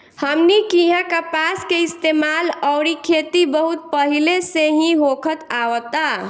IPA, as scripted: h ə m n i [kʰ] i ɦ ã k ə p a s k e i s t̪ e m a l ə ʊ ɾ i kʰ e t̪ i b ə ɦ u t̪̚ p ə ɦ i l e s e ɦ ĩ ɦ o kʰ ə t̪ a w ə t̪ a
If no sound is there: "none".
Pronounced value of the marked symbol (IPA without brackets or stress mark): k